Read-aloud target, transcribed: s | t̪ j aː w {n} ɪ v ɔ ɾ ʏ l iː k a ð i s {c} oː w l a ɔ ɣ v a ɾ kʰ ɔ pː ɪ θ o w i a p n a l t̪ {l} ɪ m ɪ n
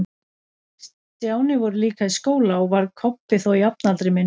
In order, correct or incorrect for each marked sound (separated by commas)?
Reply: correct, incorrect, incorrect